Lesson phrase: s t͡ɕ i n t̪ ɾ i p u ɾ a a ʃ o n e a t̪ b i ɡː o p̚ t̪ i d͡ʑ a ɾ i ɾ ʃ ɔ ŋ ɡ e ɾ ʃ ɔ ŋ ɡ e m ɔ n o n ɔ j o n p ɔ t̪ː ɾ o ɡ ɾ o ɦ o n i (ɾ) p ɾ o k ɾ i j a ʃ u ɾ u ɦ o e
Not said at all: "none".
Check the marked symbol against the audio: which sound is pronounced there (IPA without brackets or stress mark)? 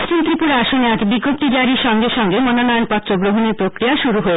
ɾ